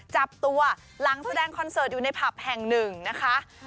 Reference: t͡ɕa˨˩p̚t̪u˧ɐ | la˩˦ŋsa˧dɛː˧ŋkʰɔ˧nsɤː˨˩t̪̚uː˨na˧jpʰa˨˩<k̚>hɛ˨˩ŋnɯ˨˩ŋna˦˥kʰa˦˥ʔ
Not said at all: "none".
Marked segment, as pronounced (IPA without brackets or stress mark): p̚